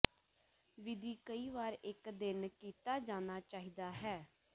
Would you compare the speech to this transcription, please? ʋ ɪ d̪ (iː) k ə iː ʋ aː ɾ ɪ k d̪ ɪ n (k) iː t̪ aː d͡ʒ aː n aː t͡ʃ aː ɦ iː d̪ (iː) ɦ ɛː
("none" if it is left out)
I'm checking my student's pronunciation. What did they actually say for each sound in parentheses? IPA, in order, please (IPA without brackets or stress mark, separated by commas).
iː, k, aː